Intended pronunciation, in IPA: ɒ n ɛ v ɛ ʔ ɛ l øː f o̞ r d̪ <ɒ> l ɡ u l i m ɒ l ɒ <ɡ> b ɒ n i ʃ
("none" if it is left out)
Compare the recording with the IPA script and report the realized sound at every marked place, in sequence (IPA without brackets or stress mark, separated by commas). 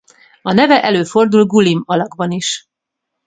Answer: u, ɡ